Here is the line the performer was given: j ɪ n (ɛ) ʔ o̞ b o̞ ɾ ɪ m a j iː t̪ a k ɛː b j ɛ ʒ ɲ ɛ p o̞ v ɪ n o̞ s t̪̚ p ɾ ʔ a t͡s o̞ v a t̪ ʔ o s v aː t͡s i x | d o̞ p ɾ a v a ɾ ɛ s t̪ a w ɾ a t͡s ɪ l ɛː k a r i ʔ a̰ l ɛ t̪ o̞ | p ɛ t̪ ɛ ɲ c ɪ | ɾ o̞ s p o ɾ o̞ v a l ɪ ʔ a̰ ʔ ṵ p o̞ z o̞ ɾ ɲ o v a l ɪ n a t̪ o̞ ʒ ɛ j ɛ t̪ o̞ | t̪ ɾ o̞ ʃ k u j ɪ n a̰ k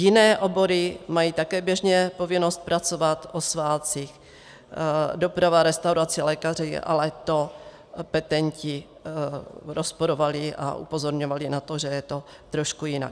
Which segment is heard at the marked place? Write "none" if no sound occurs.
ɛː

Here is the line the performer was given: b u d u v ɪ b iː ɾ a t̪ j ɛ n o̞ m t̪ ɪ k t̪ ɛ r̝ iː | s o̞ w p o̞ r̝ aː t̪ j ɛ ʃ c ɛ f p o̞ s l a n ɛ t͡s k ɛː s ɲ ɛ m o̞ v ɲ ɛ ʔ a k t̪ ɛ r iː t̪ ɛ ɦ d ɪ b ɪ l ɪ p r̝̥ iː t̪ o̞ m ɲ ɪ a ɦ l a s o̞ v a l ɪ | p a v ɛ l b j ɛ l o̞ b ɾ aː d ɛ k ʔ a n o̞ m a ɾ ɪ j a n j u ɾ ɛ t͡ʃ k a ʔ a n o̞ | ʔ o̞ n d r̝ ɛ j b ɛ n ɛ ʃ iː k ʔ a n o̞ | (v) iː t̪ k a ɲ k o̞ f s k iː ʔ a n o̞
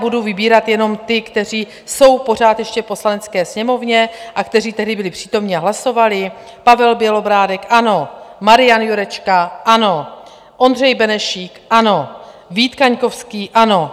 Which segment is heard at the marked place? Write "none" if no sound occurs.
v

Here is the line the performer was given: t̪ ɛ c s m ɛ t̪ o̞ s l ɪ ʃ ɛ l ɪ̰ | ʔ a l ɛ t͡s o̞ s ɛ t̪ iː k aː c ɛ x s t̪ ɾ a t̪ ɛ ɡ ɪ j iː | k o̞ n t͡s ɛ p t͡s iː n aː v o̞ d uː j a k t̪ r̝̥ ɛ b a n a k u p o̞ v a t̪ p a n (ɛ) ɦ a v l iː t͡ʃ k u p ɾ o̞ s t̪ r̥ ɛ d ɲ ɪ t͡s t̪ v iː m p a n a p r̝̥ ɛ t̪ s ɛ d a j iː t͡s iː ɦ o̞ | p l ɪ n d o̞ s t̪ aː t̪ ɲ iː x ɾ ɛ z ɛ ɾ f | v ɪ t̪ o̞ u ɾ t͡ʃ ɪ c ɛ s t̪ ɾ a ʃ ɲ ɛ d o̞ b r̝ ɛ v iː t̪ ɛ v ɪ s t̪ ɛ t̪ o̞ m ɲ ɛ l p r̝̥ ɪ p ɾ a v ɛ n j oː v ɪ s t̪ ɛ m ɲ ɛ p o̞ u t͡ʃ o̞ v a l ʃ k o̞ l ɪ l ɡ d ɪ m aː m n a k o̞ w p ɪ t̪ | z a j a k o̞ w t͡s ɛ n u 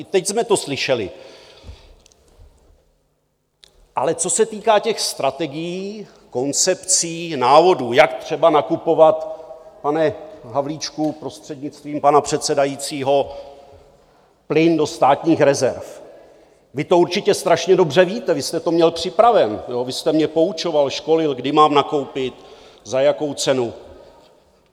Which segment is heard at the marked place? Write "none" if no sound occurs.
ɛ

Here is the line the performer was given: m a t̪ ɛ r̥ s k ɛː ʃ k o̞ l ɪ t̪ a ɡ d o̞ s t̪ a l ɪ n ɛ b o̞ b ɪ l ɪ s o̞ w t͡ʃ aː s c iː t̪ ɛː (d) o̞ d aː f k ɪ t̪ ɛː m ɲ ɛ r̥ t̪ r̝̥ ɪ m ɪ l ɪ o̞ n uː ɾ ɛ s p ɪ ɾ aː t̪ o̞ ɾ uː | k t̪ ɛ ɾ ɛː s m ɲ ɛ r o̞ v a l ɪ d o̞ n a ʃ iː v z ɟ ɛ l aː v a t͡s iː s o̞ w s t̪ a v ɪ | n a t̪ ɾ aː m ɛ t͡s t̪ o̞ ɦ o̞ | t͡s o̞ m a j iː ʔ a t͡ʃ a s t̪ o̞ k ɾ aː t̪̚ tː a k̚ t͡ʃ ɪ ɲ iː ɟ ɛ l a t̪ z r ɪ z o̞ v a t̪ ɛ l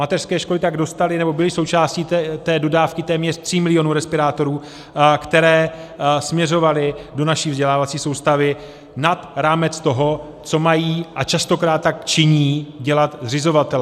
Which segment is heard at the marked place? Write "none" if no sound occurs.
d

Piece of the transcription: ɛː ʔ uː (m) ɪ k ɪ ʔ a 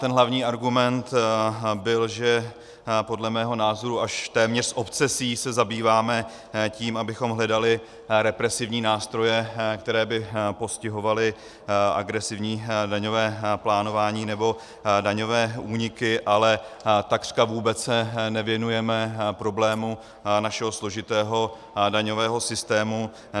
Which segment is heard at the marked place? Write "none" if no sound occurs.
ɲ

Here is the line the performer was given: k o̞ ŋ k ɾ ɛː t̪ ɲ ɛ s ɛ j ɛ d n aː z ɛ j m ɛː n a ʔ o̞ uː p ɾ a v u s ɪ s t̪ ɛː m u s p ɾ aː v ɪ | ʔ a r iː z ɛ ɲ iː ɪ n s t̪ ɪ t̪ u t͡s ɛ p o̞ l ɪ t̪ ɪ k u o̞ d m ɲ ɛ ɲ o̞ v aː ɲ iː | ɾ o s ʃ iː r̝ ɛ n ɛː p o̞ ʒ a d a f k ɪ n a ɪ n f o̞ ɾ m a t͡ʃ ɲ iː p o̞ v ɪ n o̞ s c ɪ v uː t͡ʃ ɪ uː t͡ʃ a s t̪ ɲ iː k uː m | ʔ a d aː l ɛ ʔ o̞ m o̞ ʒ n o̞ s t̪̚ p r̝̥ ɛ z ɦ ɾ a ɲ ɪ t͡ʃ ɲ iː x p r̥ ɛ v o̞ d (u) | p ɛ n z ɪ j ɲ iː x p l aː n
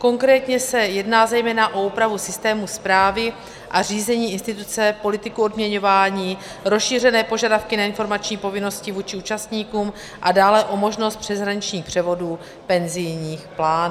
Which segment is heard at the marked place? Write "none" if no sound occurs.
uː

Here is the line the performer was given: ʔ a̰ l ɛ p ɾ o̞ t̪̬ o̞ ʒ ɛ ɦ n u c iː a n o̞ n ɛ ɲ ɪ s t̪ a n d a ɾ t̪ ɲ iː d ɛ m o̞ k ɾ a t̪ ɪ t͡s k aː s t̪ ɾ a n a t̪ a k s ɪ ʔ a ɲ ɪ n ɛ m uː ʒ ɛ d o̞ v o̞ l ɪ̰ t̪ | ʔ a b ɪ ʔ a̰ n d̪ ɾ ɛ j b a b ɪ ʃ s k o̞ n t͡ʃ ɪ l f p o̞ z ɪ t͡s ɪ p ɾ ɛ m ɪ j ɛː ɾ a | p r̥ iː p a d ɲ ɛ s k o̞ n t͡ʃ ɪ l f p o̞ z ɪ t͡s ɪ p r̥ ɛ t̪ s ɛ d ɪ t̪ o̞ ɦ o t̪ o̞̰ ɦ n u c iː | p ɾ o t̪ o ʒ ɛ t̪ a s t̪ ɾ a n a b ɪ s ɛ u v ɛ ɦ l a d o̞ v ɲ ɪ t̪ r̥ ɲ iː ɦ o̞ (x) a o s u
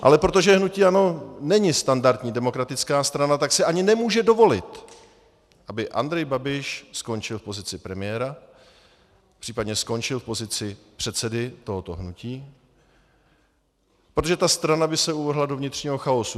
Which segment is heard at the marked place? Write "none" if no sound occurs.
x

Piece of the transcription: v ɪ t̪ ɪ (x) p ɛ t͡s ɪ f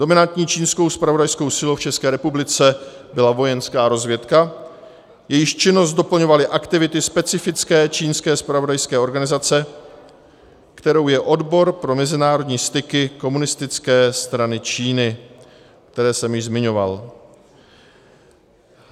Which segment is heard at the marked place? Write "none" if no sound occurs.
s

